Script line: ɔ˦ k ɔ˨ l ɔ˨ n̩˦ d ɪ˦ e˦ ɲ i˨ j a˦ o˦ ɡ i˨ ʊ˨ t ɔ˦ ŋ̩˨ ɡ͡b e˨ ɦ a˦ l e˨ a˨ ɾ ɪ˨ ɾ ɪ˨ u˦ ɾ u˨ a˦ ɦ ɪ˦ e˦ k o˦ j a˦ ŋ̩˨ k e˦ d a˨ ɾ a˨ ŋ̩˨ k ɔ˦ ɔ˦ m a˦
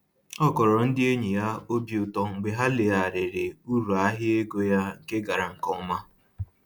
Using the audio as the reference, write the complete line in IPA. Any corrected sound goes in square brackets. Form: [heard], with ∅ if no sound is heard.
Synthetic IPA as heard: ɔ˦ k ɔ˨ [ɾ] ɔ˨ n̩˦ d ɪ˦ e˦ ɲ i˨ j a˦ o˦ [b] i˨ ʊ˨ t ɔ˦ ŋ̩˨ ɡ͡b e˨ ɦ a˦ l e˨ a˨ ɾ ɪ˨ ɾ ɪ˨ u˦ ɾ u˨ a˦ ɦ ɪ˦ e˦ [ɡ] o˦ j a˦ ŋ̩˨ k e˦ [ɡ] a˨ ɾ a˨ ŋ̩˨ k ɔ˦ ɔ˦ m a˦